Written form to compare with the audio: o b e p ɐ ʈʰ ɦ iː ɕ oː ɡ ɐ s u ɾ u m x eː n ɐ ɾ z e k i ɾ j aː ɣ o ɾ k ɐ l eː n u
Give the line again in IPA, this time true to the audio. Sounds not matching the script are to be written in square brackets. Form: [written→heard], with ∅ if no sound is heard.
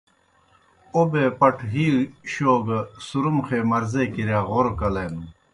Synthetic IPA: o b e p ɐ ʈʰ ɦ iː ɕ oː ɡ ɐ s u ɾ u m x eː [n→m] ɐ ɾ z e k i ɾ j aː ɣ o ɾ k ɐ l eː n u